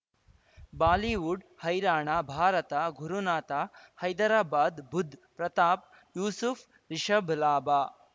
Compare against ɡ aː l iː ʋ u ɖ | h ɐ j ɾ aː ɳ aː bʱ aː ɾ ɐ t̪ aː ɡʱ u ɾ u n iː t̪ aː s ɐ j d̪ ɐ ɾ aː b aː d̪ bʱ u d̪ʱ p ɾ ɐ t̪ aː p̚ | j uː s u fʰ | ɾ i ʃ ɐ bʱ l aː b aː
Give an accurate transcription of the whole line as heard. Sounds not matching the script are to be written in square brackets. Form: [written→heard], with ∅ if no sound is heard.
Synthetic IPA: [ɡ→b] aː l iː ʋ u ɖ | h ɐ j ɾ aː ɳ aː bʱ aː ɾ ɐ t̪ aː ɡʱ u ɾ u n [iː→aː] t̪ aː [s→h] ɐ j d̪ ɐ ɾ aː b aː d̪ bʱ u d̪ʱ p ɾ ɐ t̪ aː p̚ | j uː s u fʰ | ɾ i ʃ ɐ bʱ l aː b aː